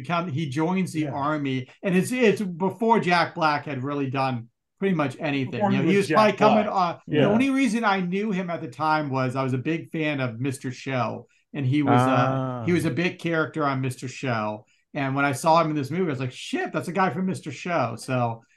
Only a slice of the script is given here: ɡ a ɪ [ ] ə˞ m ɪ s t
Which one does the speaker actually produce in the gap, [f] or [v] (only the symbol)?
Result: f